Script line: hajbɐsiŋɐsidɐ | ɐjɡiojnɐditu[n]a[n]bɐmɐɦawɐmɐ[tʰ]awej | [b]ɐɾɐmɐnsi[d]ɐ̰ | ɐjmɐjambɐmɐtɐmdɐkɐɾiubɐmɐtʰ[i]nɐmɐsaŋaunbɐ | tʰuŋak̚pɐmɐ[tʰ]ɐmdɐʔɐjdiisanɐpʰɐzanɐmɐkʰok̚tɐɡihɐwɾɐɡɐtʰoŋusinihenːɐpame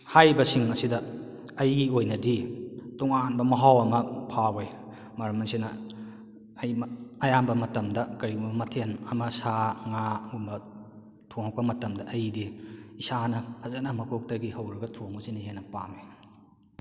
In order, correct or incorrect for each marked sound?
incorrect: ŋ, correct, incorrect: pʰ, incorrect: m, incorrect: n, incorrect: e, incorrect: t

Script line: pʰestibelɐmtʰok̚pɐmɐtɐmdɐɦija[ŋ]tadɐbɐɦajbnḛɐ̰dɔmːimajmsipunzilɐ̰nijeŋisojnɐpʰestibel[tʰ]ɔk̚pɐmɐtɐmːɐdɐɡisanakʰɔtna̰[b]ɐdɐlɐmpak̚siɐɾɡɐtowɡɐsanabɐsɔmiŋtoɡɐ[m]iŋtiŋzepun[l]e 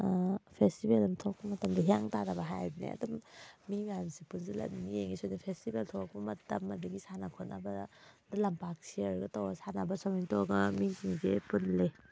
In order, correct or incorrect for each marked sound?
correct, correct, correct, correct, correct

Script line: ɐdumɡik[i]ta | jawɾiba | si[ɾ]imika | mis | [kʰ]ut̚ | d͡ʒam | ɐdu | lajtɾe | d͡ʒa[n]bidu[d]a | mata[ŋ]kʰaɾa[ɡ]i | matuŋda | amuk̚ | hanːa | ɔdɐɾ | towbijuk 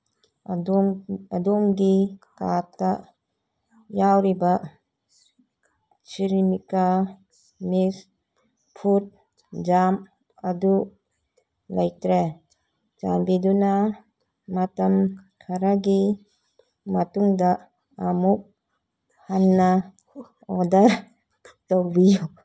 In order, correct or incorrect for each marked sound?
incorrect: a, correct, incorrect: pʰ, incorrect: m, incorrect: n, incorrect: m, correct

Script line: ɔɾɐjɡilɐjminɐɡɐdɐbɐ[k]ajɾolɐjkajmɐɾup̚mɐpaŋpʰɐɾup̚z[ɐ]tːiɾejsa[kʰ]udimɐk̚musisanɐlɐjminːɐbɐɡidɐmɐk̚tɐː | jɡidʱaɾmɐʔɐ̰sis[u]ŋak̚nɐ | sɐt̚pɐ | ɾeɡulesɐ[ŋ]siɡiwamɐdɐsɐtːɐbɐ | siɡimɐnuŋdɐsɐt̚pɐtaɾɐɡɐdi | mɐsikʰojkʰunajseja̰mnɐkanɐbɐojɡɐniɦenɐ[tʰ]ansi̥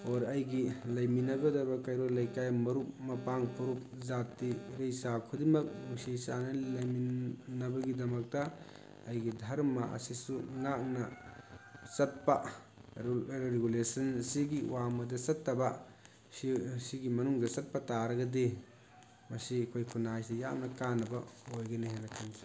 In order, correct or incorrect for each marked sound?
correct, incorrect: a, correct, correct, incorrect: n, incorrect: kʰ

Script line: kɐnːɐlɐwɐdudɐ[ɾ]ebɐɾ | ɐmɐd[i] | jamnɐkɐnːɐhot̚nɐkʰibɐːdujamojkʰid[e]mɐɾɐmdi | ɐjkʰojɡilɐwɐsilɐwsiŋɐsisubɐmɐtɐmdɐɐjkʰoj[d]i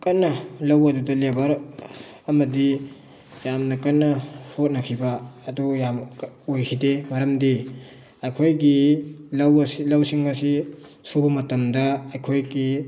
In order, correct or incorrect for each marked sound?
incorrect: l, correct, correct, incorrect: ɡ

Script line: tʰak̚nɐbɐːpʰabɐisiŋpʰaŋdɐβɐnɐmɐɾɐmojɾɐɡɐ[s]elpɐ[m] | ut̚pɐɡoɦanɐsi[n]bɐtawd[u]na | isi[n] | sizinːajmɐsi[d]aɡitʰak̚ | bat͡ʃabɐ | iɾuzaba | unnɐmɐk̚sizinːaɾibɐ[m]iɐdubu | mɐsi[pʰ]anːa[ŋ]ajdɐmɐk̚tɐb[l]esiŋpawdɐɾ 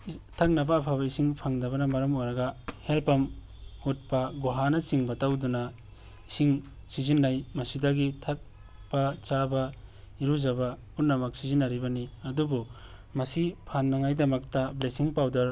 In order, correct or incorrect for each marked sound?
incorrect: h, correct, incorrect: ŋ, correct, incorrect: ŋ, correct, incorrect: n, correct, correct, correct

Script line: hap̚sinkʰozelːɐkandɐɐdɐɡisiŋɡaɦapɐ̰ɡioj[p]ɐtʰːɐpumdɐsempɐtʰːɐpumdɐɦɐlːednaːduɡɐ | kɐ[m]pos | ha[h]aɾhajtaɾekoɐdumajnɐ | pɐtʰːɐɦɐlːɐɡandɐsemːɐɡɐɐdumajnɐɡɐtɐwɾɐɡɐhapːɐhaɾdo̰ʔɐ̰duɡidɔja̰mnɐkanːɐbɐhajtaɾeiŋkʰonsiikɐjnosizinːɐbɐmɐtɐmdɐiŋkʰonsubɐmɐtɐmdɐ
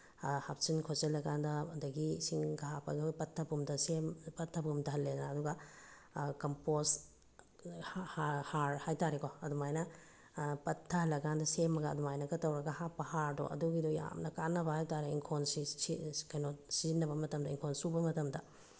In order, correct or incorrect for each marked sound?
correct, correct, correct

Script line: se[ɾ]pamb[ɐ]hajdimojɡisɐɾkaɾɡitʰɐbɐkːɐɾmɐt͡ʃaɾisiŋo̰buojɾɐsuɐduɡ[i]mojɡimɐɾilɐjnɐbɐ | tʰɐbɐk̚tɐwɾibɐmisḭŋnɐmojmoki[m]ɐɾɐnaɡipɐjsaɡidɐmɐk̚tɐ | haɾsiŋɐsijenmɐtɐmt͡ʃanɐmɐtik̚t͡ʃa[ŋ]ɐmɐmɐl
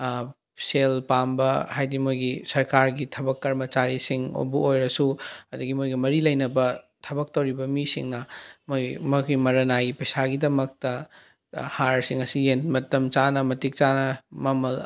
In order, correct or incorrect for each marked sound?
incorrect: l, correct, correct, correct, incorrect: n

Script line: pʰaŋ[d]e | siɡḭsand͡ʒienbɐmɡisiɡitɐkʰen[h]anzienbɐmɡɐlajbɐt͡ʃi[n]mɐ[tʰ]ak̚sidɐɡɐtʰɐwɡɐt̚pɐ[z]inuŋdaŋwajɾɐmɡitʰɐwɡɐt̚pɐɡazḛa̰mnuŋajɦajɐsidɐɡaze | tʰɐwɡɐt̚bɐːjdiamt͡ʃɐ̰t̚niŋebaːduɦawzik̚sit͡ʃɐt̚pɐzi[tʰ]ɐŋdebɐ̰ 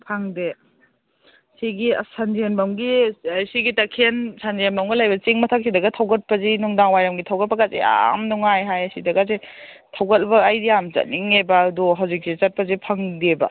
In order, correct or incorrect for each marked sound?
correct, incorrect: s, incorrect: ŋ, correct, correct, incorrect: pʰ

